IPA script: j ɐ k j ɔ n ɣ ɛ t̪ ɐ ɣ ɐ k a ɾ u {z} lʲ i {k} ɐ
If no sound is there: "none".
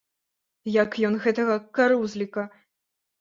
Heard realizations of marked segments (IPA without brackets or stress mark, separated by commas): z, k